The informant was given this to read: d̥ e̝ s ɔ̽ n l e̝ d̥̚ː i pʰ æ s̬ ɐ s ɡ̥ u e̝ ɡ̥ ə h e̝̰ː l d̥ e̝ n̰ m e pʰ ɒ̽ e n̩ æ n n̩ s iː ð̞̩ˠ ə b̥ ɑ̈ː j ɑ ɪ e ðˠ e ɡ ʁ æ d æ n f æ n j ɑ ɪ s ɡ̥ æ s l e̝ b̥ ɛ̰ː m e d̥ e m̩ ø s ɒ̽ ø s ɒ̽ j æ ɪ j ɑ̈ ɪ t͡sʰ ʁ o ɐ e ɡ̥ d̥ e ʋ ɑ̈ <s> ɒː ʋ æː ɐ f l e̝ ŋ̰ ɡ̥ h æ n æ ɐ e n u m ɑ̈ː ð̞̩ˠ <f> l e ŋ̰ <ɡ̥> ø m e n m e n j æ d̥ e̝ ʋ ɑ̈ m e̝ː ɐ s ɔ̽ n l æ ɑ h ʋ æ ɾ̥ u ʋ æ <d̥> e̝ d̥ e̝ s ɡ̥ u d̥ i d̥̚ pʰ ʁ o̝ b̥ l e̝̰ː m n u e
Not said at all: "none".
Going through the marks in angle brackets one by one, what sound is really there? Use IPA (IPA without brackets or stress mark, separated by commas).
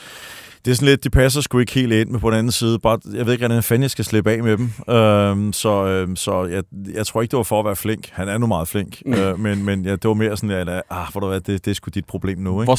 f, f, ɡ̥, d̥